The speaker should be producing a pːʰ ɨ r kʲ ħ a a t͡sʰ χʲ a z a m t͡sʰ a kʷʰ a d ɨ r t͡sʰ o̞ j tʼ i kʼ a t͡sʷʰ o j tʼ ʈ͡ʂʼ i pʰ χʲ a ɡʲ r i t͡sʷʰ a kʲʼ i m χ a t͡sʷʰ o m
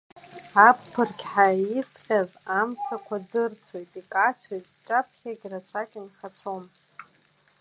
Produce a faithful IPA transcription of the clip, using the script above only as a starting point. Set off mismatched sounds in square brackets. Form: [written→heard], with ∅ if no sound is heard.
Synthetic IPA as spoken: a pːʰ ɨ r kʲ ħ a [a→i] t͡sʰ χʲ a z a m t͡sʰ a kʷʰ a d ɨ r t͡sʰ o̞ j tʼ i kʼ a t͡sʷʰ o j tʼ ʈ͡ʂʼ [i→a] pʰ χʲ a ɡʲ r [i→a] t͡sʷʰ a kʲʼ i [m→n] χ a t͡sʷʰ o m